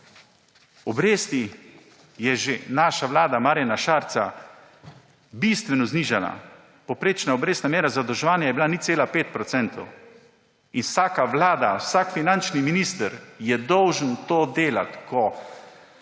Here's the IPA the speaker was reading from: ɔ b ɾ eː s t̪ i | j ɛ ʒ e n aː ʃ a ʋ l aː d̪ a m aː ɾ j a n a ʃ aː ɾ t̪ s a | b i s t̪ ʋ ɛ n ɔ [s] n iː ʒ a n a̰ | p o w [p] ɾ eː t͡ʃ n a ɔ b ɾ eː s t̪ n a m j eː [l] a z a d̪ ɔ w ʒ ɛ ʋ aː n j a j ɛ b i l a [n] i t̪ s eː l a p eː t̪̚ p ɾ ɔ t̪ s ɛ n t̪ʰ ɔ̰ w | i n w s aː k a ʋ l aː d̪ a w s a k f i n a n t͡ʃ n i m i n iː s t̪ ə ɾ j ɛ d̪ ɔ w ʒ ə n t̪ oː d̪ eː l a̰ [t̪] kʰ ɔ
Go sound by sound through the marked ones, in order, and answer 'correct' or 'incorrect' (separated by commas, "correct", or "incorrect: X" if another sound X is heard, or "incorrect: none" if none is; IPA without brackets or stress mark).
incorrect: z, correct, incorrect: ɾ, correct, correct